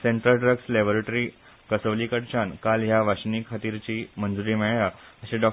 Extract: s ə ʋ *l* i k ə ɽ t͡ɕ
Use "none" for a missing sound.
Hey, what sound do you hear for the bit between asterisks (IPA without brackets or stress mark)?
l